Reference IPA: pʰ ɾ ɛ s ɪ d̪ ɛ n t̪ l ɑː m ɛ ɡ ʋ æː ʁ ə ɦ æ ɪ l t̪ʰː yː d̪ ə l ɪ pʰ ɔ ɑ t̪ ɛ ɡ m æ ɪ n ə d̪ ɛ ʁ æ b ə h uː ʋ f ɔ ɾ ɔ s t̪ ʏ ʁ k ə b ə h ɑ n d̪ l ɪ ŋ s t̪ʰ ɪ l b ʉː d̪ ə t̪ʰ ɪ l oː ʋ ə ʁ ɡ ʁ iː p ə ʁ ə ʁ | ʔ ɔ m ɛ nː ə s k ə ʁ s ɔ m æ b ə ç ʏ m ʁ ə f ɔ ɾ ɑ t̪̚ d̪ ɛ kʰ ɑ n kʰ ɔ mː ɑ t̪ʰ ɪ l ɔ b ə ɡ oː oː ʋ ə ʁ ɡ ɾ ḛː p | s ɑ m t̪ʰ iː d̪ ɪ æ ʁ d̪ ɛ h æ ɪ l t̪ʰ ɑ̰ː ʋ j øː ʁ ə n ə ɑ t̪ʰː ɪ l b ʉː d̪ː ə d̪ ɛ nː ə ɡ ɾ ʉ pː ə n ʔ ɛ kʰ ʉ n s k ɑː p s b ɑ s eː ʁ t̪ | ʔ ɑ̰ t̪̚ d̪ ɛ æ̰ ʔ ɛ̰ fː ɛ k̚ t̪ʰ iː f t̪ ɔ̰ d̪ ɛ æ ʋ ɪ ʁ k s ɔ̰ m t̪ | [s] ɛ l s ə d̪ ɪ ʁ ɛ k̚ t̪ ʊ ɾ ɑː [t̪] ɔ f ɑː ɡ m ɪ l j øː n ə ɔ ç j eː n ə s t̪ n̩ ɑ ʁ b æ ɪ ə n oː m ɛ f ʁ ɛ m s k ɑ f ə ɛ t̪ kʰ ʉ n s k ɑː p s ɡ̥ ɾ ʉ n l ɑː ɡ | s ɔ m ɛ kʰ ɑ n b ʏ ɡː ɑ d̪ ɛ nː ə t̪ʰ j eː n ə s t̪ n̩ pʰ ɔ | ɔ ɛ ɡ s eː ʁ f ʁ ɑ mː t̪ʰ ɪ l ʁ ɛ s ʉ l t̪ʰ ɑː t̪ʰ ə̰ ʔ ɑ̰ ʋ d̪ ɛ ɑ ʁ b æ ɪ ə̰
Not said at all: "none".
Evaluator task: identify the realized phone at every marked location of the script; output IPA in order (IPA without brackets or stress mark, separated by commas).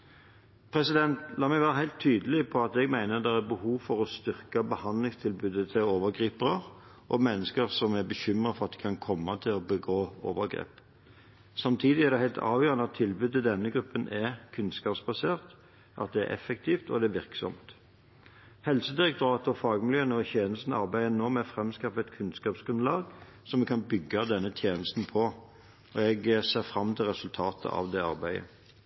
h, t̪